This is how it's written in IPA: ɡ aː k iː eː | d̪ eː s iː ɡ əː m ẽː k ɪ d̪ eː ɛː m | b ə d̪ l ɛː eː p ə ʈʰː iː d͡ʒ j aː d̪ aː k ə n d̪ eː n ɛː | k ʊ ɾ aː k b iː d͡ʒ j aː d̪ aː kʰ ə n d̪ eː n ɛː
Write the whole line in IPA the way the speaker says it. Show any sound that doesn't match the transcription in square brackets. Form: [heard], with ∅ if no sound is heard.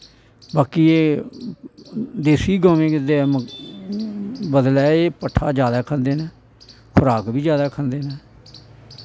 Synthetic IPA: [b] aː k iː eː | d̪ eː s iː ɡ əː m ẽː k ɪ d̪ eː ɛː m | b ə d̪ l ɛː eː p ə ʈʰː [aː] d͡ʒ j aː d̪ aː [kʰ] ə n d̪ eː n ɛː | [kʰ] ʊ ɾ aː k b iː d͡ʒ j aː d̪ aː kʰ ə n d̪ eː n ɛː